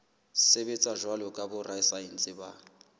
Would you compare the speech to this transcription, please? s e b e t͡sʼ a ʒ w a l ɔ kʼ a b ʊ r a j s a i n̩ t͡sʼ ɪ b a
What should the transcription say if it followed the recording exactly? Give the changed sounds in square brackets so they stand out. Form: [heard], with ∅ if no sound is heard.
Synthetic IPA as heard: s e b e t͡sʼ a ʒ w a l ɔ kʼ a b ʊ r a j s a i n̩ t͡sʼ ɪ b a